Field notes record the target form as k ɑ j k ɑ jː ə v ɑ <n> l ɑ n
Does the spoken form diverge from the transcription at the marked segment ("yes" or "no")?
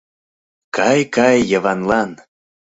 no